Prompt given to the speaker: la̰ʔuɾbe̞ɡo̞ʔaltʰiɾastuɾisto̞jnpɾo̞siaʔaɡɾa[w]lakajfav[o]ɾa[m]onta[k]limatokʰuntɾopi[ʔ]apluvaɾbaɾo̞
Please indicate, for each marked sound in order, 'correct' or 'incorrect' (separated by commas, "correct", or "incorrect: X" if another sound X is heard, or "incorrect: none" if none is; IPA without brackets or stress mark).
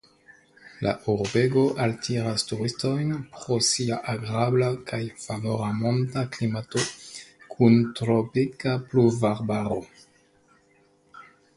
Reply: incorrect: b, correct, correct, correct, incorrect: k